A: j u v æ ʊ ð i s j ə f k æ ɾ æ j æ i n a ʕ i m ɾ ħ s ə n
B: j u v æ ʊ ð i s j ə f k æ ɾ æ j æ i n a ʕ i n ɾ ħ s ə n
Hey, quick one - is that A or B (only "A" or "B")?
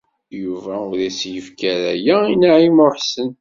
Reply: A